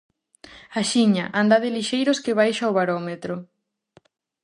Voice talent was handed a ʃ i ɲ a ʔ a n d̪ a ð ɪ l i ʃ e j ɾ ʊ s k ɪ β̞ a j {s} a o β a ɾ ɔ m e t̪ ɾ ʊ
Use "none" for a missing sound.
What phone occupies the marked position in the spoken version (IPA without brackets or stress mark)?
ʃ